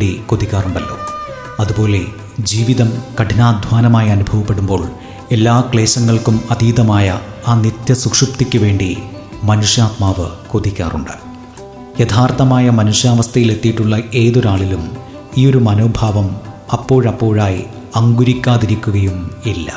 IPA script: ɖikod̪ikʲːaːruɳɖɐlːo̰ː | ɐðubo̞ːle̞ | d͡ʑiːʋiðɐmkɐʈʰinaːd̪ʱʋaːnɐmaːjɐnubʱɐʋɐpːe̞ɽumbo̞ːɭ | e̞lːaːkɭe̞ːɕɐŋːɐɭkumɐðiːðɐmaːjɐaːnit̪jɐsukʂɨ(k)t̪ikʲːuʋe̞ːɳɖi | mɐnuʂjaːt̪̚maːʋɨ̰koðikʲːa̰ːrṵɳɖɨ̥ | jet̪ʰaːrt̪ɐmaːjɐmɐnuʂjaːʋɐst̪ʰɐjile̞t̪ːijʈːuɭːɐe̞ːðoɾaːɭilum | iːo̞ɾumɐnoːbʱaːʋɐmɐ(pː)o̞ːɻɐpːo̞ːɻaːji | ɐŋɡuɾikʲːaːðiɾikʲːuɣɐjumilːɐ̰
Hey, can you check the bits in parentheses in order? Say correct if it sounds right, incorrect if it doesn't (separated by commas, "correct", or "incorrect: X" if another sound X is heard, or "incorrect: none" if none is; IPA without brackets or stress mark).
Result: incorrect: p, correct